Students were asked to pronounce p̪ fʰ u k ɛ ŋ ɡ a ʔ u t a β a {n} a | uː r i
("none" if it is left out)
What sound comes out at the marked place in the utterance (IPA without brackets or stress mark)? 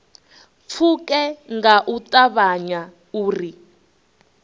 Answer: ɲ